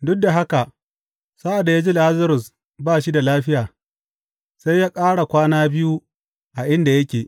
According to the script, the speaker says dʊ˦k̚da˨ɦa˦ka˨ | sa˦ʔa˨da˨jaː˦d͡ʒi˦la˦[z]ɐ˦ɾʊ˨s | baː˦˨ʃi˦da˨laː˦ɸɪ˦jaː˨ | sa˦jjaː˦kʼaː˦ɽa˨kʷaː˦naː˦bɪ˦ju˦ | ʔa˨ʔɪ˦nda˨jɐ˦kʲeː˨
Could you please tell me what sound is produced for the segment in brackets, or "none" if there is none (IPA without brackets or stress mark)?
z